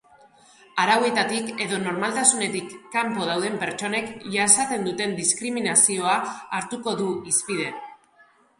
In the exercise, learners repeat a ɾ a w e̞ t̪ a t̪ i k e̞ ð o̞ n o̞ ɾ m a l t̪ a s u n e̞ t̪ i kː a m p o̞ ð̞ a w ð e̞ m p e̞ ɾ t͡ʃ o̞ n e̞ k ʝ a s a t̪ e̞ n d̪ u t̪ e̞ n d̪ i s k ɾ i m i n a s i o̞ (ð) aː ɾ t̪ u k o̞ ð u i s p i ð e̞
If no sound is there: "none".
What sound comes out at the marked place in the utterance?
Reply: none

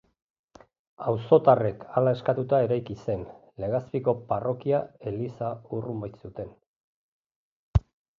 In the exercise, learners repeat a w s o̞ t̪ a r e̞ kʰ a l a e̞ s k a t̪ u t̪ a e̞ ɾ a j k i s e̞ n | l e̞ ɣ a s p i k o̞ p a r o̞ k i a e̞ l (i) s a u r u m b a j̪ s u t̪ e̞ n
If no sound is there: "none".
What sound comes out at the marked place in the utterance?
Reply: i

